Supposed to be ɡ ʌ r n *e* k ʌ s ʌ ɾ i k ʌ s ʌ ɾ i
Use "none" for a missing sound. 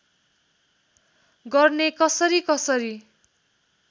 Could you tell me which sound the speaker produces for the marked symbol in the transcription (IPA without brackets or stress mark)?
e